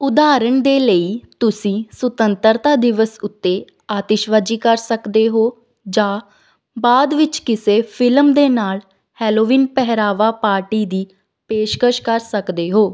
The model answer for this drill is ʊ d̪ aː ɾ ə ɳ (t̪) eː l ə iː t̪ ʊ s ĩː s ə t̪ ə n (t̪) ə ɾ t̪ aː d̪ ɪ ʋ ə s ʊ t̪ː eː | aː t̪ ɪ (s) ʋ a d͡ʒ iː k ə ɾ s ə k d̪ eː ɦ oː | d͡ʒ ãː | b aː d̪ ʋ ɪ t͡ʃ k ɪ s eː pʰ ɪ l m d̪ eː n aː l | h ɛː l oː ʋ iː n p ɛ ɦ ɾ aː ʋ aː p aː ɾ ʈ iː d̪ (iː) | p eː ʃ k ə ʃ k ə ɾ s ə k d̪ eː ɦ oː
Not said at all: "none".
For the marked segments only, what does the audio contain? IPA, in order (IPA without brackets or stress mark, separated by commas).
d̪, t̪, ʃ, iː